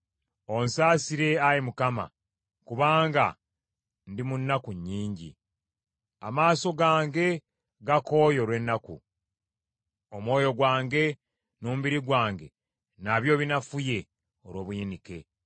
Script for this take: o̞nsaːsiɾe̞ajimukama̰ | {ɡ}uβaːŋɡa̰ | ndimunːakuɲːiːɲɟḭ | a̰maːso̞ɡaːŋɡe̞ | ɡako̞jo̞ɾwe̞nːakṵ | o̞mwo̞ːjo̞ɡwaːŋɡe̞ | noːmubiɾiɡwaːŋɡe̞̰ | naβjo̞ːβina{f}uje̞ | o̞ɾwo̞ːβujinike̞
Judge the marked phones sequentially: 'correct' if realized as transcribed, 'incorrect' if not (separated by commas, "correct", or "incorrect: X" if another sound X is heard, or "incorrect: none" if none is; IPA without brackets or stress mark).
incorrect: k, correct